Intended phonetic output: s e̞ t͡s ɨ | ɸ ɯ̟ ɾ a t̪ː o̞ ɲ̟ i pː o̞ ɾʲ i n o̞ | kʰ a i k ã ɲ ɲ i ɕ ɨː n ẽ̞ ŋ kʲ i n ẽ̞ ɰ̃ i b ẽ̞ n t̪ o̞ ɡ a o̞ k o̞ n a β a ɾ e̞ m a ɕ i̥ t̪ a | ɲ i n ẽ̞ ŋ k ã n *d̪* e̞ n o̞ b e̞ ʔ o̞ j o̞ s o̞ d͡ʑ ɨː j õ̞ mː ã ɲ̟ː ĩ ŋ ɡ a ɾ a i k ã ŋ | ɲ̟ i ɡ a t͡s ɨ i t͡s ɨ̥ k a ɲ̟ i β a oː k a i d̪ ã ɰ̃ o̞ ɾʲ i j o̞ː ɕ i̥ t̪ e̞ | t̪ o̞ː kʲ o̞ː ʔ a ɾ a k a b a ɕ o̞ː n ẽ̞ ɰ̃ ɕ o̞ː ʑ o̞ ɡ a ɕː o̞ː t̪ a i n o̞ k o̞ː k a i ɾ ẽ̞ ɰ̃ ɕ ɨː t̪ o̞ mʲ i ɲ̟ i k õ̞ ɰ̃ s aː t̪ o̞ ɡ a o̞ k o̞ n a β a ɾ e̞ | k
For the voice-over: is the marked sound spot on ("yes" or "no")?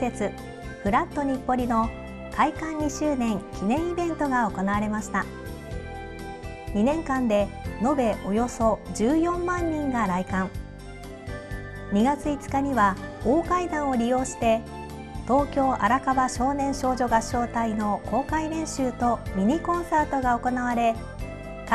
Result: yes